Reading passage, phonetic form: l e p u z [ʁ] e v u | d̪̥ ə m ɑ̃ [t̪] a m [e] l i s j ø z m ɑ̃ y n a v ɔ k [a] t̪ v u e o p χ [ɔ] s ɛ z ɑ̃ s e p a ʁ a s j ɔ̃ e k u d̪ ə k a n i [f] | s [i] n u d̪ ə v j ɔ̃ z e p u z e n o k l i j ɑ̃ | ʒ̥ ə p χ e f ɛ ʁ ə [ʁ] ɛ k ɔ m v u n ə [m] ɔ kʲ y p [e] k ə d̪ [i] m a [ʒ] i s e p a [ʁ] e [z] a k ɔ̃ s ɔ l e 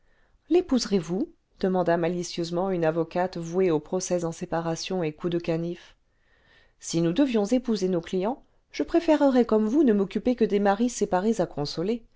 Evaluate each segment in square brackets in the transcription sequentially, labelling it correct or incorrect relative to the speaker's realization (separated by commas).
correct, incorrect, incorrect, correct, correct, correct, correct, correct, correct, correct, incorrect, incorrect, correct, correct